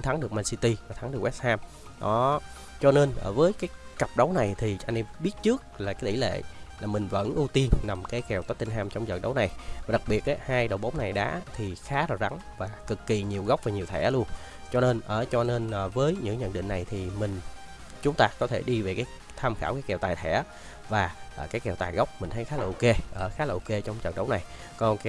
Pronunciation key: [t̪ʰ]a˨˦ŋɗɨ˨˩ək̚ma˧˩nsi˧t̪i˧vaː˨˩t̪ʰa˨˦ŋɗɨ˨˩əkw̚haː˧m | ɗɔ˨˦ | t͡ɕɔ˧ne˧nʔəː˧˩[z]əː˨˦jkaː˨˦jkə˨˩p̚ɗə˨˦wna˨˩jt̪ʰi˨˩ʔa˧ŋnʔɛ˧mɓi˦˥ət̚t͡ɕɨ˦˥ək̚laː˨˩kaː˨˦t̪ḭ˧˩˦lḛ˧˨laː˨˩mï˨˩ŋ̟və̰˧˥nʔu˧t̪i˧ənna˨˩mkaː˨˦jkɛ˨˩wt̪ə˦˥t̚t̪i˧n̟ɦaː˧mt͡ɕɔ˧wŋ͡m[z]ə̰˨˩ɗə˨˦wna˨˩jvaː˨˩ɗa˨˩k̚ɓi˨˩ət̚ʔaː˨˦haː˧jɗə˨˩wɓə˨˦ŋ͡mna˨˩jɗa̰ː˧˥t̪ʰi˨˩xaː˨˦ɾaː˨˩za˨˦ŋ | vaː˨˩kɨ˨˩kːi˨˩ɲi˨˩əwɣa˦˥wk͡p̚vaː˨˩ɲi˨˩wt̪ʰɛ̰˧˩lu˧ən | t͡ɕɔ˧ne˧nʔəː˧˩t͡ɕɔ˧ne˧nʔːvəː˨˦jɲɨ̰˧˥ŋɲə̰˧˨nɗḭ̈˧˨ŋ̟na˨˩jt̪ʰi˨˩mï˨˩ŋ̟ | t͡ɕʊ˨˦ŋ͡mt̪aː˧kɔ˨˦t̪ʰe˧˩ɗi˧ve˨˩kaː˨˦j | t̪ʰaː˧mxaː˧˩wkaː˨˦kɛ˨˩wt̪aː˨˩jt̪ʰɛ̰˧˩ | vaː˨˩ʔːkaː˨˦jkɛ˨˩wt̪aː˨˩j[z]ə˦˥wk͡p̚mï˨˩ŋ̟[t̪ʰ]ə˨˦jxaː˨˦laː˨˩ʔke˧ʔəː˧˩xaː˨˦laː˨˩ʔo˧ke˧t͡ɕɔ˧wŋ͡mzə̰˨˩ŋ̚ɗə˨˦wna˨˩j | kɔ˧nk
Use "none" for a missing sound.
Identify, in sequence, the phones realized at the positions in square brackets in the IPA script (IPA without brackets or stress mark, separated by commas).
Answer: t̪ʰ, v, z, ɣ, t̪ʰ